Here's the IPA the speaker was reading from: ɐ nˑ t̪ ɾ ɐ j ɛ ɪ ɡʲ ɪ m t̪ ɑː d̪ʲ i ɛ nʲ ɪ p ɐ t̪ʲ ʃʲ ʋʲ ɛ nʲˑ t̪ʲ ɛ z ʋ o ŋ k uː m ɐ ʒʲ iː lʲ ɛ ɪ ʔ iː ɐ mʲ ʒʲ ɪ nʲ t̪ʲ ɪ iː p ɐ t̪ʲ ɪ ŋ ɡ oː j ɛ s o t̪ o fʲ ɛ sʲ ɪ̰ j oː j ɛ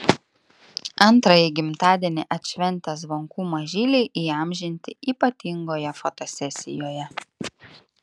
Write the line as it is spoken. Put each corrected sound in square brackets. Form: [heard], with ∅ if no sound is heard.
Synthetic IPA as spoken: ɐ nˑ t̪ ɾ ɐ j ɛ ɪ ɡʲ ɪ m t̪ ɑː d̪ʲ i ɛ nʲ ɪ [ʔ] ɐ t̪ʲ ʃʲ ʋʲ ɛ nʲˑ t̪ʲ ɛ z ʋ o ŋ k uː m ɐ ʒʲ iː lʲ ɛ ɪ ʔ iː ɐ mʲ ʒʲ ɪ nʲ t̪ʲ ɪ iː p ɐ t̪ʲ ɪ ŋ ɡ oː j ɛ [f] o t̪ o [sʲ] ɛ sʲ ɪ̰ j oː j ɛ